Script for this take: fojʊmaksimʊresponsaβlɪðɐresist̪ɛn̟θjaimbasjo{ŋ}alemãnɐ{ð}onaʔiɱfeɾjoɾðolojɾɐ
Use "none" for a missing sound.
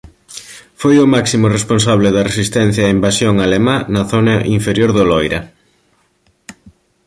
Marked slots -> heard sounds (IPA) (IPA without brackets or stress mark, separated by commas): ŋ, θ